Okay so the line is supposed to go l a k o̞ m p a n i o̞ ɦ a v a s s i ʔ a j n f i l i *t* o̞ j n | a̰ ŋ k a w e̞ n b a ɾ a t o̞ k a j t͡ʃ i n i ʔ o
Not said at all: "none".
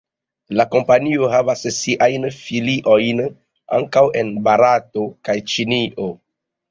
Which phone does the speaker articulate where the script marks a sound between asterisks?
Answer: ʔ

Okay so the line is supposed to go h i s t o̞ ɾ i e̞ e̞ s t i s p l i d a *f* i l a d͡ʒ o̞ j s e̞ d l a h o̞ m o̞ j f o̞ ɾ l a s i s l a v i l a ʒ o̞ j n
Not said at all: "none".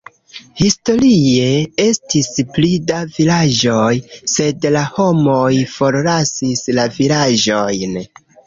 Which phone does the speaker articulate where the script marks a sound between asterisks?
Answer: v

